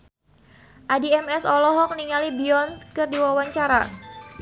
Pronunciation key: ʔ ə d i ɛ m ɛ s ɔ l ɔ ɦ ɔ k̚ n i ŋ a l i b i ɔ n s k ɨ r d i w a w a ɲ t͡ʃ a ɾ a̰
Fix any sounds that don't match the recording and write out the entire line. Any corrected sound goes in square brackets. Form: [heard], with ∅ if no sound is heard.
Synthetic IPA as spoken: ʔ [a] d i ɛ m ɛ s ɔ l ɔ ɦ ɔ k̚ n i ŋ a l i b i ɔ n s k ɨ r d i w a w a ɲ t͡ʃ a ɾ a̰